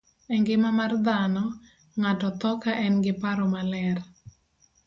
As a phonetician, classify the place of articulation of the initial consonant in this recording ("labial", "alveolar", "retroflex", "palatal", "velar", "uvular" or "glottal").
velar